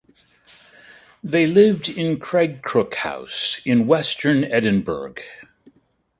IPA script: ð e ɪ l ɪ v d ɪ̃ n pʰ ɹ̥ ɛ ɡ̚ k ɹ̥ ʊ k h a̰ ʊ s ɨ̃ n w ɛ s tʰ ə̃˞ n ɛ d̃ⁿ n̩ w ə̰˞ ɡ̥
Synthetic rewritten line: ð e ɪ l ɪ v d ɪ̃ n kʰ ɹ̥ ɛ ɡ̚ kʰ ɹ̥ ʊ k h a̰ ʊ s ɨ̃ n w ɛ s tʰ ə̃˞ n ɛ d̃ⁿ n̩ b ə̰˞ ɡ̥